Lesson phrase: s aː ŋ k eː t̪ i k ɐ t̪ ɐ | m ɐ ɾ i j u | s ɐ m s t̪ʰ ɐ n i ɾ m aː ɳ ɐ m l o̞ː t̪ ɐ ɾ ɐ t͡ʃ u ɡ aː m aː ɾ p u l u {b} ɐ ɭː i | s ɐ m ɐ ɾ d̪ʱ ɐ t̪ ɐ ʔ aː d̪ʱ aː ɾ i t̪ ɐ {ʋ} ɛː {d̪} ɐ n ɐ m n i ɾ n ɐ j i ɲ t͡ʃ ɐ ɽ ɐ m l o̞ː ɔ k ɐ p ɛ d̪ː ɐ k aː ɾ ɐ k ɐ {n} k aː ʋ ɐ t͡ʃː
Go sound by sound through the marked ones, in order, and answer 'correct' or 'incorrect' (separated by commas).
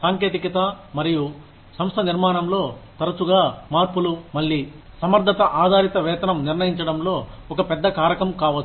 incorrect, correct, incorrect, incorrect